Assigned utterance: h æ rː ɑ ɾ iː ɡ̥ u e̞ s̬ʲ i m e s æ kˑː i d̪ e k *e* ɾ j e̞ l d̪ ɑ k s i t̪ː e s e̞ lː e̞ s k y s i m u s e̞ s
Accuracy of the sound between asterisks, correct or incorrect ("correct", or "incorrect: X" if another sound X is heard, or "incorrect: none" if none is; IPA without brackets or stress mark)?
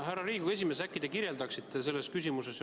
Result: incorrect: i